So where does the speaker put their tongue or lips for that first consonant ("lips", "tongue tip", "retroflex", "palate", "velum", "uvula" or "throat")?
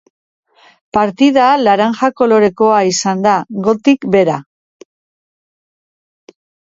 lips